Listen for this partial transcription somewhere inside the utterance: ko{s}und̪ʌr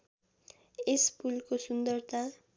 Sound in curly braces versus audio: correct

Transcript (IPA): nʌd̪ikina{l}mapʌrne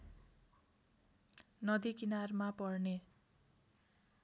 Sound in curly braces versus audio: incorrect: r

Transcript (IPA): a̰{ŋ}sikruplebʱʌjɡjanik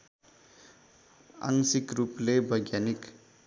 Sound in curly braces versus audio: correct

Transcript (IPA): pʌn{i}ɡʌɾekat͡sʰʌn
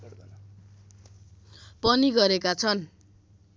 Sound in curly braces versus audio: correct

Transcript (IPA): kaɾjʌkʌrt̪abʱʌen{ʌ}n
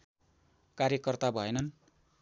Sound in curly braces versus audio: correct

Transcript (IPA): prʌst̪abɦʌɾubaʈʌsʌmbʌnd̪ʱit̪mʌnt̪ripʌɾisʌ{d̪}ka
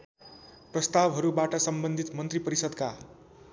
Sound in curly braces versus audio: correct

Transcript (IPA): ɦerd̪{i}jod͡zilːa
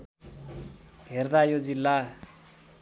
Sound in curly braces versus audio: incorrect: a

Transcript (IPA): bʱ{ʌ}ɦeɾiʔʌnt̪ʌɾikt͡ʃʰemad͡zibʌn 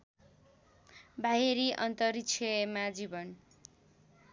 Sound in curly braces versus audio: incorrect: a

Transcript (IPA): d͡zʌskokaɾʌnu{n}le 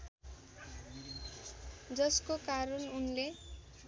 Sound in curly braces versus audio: correct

